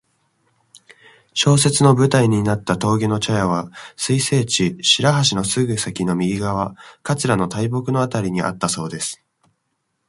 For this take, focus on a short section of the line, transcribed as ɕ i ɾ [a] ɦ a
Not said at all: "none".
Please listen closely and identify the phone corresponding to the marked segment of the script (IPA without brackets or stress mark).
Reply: a